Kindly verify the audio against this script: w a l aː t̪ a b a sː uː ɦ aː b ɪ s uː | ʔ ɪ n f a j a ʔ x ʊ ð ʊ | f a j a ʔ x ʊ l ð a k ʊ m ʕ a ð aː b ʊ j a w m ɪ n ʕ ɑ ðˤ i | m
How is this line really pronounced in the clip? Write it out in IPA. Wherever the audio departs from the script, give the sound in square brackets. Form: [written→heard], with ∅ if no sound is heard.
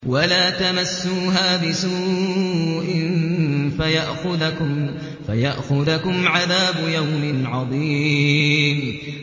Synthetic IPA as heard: w a l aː t̪ a [b→m] a sː uː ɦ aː b ɪ s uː | ʔ ɪ n f a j a ʔ x ʊ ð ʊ | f a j a ʔ x ʊ [l→∅] ð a k ʊ m ʕ a ð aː b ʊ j a w m ɪ n ʕ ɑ ðˤ [i→iː] | m